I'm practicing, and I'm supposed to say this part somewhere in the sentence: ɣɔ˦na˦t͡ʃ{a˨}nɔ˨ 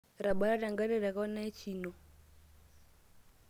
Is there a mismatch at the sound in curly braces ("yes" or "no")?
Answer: yes